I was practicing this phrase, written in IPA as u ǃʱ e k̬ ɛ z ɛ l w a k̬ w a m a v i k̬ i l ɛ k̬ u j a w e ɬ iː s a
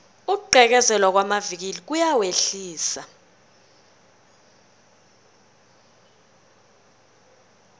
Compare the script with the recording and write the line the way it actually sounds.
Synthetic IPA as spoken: u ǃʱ ɛ k̬ ɛ z ɛ l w a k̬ w a m a v i k̬ i l i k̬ u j a w e ɬ iː s a